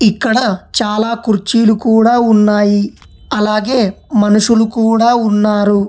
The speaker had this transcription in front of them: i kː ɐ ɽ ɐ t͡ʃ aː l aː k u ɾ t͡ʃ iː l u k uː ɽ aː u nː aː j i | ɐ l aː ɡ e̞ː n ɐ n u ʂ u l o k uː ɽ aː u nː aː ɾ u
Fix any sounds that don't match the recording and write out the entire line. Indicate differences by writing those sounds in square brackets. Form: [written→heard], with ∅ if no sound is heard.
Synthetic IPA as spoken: i kː ɐ ɽ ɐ t͡ʃ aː l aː k u ɾ t͡ʃ iː l u k uː ɽ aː u nː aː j i | ɐ l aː ɡ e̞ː [n→m] ɐ n u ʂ u l [o→u] k uː ɽ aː u nː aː ɾ u

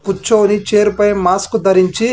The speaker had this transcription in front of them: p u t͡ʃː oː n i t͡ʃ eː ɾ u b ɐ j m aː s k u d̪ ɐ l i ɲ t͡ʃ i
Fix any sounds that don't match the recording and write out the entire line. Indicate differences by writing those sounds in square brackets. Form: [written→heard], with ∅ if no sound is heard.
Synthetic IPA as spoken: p u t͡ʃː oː n i t͡ʃ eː ɾ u [b→p] ɐ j m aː s k u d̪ ɐ [l→ɾ] i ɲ t͡ʃ i

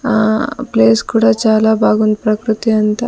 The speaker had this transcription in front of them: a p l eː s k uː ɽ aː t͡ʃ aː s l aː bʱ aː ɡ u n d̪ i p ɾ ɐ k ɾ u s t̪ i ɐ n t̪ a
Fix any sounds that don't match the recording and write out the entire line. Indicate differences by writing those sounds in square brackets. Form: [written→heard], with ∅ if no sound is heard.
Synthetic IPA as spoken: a p l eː s k uː ɽ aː t͡ʃ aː [s→∅] l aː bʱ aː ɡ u n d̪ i p ɾ ɐ k ɾ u [s→∅] t̪ i ɐ n t̪ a

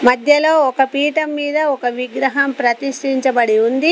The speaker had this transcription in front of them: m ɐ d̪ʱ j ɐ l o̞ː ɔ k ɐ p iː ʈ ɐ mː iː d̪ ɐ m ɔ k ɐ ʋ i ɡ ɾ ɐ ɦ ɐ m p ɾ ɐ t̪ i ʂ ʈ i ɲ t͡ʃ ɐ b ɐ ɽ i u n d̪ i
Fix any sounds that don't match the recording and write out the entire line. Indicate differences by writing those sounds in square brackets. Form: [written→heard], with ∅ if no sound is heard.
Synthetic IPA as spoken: m ɐ d̪ʱ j ɐ l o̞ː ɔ k ɐ p iː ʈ ɐ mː iː d̪ ɐ [m→∅] ɔ k ɐ ʋ i ɡ ɾ ɐ ɦ ɐ m p ɾ ɐ t̪ i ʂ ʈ i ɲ t͡ʃ ɐ b ɐ ɽ i u n d̪ i

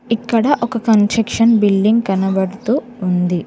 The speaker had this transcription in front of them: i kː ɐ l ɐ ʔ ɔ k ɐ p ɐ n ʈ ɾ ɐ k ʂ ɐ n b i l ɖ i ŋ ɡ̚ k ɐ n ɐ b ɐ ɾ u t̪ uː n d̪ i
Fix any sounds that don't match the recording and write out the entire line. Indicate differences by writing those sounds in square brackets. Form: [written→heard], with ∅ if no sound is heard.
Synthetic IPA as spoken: i kː ɐ [l→ɽ] ɐ ʔ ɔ k ɐ [p→k] ɐ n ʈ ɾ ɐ k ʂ ɐ n b i l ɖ i ŋ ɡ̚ k ɐ n ɐ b ɐ [ɾ→ɽ] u t̪ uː n d̪ i

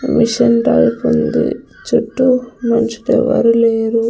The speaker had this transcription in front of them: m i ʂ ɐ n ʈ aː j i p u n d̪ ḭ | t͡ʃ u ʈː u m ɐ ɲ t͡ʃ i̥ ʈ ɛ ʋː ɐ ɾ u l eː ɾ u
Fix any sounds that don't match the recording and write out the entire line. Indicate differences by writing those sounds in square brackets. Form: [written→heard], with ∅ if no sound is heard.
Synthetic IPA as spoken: m i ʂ ɐ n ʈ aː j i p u n d̪ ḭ | t͡ʃ u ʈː u m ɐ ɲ t͡ʃ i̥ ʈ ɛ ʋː ɐ ɾ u l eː ɾ u

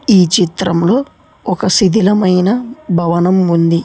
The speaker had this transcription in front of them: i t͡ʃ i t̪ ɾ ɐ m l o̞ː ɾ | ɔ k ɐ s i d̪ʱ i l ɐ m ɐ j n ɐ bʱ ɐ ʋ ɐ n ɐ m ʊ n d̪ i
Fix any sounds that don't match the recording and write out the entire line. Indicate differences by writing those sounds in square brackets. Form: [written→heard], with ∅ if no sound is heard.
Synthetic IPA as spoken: [i→iː] t͡ʃ i t̪ ɾ ɐ m l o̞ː [ɾ→∅] | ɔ k ɐ s i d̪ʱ i l ɐ m ɐ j n ɐ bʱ ɐ ʋ ɐ n ɐ m [ʊ→u] n d̪ i

